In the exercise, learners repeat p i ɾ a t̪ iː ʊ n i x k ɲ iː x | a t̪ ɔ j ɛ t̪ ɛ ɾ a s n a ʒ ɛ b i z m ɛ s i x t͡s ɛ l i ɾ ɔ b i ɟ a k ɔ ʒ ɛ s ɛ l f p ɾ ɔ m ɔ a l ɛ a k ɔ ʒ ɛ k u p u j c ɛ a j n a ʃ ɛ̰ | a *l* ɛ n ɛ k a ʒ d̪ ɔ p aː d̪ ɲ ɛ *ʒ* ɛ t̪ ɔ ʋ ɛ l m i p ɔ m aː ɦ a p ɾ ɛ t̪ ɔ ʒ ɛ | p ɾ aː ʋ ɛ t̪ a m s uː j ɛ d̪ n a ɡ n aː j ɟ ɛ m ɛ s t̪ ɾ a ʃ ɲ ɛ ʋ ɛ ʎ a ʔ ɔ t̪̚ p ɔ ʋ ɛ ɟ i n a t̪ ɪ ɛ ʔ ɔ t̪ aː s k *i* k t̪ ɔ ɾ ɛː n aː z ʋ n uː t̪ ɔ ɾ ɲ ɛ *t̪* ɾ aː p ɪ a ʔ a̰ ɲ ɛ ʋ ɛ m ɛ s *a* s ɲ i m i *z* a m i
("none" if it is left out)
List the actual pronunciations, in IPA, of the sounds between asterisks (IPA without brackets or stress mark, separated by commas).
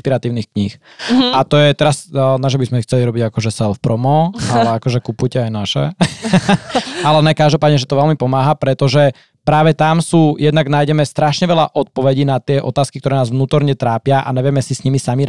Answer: l, ʒ, i, t̪, i, s